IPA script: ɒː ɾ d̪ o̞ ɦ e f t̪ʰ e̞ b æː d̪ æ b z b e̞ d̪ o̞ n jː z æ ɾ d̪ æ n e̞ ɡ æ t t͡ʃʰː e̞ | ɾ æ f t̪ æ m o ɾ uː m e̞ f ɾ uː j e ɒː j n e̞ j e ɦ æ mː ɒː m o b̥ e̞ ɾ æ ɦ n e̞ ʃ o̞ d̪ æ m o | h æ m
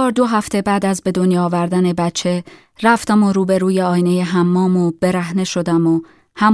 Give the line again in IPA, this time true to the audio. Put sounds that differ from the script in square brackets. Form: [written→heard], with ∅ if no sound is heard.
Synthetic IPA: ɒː ɾ d̪ o̞ ɦ [e→æ] f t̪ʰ e̞ b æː d̪ æ [b→∅] z b e̞ d̪ o̞ n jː [z→v] æ ɾ d̪ æ n e̞ [ɡ→b] æ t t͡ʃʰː e̞ | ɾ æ f t̪ æ m o ɾ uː [m→b] e̞ [f→∅] ɾ uː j e ɒː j n e̞ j e ɦ æ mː ɒː m o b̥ e̞ ɾ æ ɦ n e̞ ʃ o̞ d̪ æ m o | h æ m